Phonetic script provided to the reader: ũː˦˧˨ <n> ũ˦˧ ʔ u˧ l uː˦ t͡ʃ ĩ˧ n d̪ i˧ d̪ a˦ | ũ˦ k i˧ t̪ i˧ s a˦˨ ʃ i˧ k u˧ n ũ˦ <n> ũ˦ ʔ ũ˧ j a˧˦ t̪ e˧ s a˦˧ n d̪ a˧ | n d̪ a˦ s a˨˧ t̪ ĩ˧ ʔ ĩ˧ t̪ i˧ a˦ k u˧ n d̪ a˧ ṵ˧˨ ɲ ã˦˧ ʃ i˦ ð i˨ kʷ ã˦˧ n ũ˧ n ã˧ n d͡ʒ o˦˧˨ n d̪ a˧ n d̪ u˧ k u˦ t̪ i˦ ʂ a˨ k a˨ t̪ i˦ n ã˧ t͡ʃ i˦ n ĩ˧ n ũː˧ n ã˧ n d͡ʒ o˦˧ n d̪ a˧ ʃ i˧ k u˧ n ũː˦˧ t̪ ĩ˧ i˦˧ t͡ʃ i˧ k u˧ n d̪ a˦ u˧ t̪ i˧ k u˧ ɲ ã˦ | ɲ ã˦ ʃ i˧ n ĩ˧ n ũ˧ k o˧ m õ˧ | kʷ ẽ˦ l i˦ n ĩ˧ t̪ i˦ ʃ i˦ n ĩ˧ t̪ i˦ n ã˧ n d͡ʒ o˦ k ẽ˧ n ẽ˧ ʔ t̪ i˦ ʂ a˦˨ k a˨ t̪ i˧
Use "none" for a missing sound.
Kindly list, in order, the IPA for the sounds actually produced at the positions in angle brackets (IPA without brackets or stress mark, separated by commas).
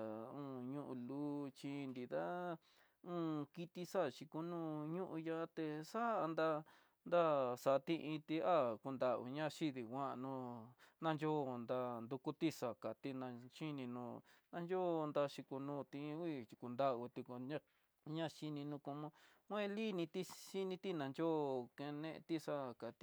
ɲ, ɲ